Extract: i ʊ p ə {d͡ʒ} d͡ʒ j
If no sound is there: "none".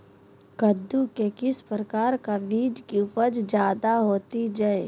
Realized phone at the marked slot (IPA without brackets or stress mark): d͡ʒ